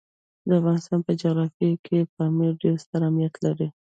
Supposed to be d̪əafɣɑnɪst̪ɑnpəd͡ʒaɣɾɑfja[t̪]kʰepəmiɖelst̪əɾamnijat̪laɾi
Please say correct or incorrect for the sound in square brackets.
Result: incorrect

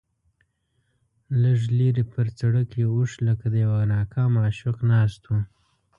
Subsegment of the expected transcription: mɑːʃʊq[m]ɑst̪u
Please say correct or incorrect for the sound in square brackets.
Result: incorrect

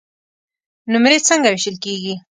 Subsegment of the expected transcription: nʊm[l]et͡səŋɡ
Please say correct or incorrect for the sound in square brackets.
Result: incorrect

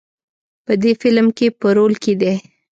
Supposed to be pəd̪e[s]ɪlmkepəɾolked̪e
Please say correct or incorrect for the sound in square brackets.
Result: incorrect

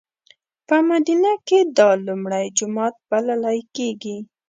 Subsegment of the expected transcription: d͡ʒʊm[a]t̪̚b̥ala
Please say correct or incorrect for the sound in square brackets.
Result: incorrect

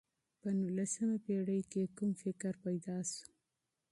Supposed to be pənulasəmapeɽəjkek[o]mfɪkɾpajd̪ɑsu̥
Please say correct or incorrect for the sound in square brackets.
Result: incorrect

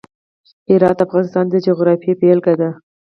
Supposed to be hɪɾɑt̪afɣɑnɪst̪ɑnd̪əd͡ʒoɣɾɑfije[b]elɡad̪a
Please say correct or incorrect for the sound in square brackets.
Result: incorrect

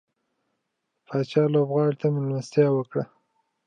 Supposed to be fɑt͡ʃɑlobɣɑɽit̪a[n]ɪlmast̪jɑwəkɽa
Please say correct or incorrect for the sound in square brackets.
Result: incorrect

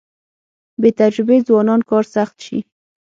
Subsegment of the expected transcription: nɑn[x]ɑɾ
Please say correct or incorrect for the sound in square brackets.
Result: incorrect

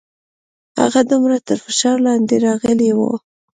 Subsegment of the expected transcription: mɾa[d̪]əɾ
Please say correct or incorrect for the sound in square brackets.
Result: incorrect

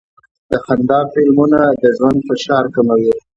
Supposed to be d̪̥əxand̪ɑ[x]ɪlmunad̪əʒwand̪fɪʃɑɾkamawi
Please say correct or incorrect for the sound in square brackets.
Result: incorrect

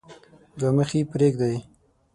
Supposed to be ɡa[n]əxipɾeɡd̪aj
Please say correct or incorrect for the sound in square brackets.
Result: incorrect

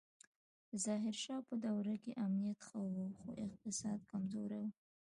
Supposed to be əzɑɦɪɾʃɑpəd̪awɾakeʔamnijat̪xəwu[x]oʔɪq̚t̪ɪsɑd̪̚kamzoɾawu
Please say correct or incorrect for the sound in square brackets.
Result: correct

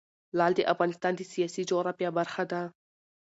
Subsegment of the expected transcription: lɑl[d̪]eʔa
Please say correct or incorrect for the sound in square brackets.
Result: correct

